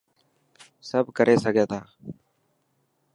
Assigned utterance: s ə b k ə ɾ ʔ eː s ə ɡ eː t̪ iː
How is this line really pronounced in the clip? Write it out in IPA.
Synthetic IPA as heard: s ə b k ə ɾ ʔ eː s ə ɡ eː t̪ aː